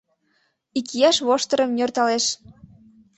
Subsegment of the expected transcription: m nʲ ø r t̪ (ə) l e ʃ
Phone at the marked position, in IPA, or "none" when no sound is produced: ɑ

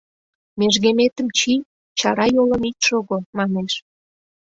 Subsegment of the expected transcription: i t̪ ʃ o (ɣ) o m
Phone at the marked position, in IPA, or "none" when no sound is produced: ɣ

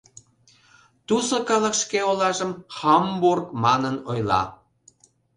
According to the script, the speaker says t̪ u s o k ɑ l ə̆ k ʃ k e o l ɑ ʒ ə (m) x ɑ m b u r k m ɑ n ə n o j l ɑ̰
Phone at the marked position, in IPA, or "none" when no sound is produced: m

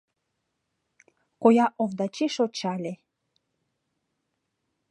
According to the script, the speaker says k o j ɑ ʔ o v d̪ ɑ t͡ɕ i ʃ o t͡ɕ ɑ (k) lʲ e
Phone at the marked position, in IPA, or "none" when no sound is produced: none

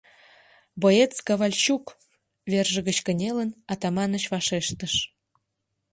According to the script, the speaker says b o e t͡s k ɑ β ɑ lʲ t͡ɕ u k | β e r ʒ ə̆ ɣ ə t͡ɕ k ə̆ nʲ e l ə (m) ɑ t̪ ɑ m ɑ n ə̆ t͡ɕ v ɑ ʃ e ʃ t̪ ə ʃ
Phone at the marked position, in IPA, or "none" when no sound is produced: n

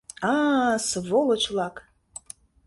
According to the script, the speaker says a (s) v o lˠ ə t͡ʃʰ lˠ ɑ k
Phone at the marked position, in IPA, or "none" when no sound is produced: s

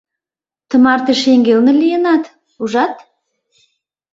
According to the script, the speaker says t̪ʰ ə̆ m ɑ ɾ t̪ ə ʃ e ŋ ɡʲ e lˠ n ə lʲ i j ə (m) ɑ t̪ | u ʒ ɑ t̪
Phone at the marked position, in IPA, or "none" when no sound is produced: n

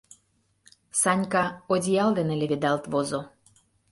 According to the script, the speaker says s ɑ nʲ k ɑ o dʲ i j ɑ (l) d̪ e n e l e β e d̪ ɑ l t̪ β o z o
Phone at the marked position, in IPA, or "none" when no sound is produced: l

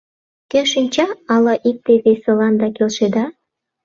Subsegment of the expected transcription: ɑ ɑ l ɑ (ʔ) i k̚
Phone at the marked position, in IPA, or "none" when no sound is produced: ʔ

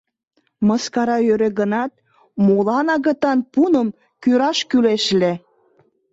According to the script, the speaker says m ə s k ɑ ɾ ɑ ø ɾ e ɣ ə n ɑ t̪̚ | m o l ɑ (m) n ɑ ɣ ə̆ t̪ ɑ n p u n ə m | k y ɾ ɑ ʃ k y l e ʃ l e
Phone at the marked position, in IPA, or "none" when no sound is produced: none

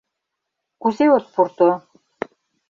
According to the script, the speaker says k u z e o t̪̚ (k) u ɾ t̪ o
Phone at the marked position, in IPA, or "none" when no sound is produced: p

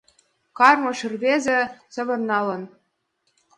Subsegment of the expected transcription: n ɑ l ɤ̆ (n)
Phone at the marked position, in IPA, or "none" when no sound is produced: n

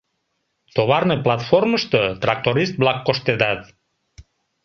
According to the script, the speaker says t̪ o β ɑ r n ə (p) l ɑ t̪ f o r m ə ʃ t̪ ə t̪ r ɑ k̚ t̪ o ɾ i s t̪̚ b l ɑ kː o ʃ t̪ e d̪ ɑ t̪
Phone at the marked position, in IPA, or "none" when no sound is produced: p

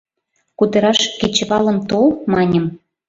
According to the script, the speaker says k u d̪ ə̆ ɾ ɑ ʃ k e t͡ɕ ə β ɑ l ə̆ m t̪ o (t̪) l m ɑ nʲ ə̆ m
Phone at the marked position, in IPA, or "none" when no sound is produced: none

